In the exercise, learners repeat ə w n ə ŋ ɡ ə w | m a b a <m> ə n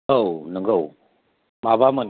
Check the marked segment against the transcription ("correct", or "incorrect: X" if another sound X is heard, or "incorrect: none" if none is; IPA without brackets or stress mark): correct